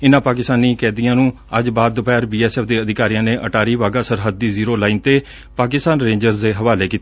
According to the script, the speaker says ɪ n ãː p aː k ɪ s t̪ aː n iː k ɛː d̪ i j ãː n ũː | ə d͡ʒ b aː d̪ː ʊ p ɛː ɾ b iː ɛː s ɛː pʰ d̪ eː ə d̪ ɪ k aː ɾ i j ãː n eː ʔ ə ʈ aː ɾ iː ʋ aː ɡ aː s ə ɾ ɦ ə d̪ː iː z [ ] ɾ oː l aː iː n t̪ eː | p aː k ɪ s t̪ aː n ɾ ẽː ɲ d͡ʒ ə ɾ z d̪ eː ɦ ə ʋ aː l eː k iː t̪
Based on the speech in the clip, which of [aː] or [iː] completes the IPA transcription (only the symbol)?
iː